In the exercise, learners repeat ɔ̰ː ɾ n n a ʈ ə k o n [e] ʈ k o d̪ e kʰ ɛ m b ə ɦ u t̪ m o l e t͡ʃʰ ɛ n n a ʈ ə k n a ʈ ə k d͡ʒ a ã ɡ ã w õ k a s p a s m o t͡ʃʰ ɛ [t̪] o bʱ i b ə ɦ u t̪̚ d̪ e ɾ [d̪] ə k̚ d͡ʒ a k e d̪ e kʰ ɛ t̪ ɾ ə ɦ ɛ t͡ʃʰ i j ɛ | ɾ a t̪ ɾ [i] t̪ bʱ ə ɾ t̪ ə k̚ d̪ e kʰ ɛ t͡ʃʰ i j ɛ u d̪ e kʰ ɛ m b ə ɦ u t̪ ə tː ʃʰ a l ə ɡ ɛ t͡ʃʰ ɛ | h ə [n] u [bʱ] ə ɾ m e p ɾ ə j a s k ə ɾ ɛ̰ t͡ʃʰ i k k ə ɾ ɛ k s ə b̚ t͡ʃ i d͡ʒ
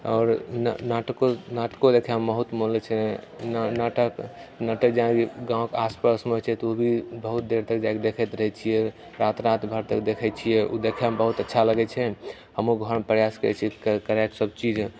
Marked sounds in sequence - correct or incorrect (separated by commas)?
incorrect, correct, incorrect, incorrect, incorrect, incorrect